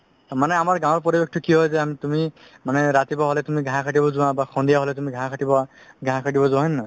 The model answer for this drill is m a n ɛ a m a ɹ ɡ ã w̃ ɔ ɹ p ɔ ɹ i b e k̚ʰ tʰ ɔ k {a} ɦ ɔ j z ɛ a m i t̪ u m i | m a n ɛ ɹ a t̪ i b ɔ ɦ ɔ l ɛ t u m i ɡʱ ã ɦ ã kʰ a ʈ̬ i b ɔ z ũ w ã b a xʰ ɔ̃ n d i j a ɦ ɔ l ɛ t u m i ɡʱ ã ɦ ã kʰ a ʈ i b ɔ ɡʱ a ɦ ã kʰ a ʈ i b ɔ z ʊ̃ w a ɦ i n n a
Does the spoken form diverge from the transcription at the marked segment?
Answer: yes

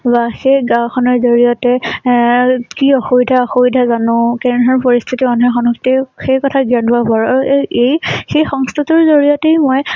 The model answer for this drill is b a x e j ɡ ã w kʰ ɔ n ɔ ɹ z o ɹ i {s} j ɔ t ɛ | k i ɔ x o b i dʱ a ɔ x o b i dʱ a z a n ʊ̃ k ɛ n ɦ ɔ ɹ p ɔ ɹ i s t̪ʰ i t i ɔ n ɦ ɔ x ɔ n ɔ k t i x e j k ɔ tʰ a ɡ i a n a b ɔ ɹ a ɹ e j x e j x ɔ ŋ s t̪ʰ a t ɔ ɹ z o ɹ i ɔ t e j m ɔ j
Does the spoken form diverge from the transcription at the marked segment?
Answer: yes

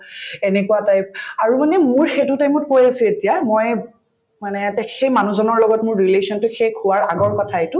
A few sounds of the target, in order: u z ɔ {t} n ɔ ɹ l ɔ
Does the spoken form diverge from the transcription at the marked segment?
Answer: yes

